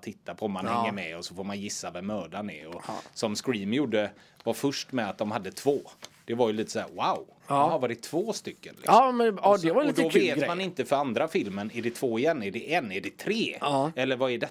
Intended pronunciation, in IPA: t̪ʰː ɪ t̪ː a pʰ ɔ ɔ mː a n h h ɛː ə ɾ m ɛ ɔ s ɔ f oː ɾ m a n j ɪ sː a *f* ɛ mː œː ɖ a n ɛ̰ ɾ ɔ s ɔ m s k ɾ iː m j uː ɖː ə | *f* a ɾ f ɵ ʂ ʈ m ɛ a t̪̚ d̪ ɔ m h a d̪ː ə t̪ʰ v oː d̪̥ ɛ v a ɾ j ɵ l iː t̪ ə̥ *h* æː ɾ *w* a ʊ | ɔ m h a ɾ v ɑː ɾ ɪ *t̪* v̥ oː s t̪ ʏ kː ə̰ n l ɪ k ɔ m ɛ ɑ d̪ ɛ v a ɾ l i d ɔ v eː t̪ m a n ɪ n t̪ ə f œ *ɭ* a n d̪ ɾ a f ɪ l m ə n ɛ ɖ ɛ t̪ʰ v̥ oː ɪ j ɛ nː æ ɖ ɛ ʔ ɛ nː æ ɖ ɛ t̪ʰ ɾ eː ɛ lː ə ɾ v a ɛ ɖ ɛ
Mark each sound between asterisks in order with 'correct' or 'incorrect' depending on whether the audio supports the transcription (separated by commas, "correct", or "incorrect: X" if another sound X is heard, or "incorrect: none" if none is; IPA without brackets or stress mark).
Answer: incorrect: v, incorrect: v, incorrect: s, correct, incorrect: t̪ʰ, incorrect: ɾ